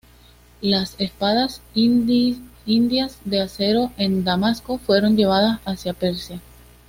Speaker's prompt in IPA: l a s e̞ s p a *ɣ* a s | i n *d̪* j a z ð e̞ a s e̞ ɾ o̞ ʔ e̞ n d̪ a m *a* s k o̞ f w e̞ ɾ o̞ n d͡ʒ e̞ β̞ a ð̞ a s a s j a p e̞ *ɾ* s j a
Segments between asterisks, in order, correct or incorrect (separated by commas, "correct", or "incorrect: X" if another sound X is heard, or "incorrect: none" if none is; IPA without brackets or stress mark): incorrect: ð, correct, correct, correct